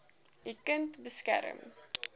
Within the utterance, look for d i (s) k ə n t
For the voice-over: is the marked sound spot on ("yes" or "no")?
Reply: no